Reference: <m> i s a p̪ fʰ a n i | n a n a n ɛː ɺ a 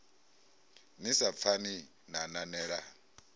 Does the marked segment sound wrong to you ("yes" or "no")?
yes